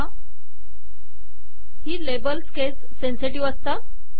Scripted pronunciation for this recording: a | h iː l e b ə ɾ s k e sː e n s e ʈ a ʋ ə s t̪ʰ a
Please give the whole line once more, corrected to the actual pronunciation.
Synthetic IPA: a | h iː l e b ə l s k e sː e n s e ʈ i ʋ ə s t̪ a

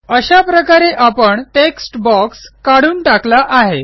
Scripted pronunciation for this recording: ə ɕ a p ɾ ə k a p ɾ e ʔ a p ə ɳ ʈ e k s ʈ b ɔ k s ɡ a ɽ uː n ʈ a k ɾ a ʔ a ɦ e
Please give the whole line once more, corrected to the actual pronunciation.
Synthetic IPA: ə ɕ a p ɾ ə k a ɾ e ʔ a p ə ɳ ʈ e k s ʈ b ɔ k s k a ɽ uː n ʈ a k l a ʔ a ɦ e

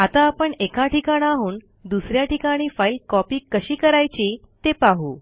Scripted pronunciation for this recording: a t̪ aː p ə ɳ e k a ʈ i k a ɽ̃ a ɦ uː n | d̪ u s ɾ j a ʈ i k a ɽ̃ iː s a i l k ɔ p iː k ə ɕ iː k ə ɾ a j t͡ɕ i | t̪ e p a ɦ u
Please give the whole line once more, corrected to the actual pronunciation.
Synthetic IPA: a t̪ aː p ə ɳ e k a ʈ i k a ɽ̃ a ɦ uː n | d̪ u s ɾ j a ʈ i k a ɽ̃ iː f a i l k ɔ p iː k ə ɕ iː k ə ɾ a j t͡ɕ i | t̪ e p a ɦ u

